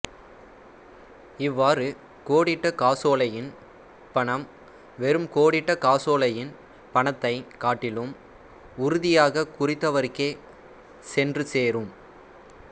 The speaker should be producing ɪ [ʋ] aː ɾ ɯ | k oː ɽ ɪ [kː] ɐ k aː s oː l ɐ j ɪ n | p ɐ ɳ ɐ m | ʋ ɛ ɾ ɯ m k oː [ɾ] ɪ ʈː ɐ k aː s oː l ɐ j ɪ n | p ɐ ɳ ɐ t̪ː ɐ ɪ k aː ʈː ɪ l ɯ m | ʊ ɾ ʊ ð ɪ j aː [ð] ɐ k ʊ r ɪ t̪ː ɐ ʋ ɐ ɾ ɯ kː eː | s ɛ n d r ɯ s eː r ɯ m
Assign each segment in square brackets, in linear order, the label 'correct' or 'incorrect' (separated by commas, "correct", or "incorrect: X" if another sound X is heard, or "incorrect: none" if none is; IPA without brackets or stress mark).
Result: incorrect: ʋː, incorrect: ʈː, incorrect: ɽ, incorrect: ɣ